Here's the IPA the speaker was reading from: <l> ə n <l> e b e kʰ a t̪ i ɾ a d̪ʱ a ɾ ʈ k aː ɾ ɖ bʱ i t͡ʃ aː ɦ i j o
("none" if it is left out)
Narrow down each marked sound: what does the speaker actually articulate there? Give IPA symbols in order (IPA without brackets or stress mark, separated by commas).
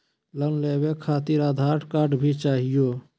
l, l